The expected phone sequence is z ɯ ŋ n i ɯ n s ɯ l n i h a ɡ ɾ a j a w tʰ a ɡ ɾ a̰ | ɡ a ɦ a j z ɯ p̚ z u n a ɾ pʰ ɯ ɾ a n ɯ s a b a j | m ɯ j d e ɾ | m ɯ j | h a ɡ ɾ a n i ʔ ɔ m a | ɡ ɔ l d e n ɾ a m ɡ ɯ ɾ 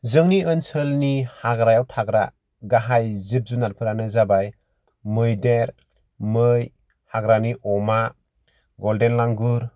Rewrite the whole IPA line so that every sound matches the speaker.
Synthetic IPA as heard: z ɯ ŋ n i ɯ n s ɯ l n i h a ɡ ɾ a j a w tʰ a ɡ ɾ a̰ | ɡ a ɦ a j z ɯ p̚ z u n a ɾ pʰ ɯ ɾ a n ɯ z a b a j | m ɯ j d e ɾ | m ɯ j | h a ɡ ɾ a n i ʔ ɔ m a | ɡ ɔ l d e n l a ŋ ɡ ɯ ɾ